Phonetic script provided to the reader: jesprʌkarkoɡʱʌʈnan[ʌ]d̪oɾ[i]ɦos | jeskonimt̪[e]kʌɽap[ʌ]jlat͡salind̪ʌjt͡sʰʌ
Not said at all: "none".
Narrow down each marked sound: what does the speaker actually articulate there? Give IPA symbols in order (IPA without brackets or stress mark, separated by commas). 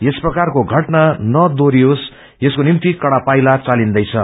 ʌ, i, i, a